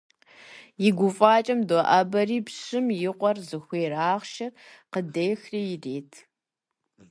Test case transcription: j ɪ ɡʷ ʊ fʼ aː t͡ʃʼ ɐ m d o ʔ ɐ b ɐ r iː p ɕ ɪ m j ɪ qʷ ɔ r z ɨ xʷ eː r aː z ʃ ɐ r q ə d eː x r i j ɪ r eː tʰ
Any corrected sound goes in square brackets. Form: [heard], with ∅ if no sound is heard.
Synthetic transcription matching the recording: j ɪ ɡʷ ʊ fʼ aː t͡ʃʼ ɐ m d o ʔ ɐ b ɐ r iː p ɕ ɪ m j ɪ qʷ ɔ r z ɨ xʷ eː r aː [ʁ] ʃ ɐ r q ə d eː x r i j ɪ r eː tʰ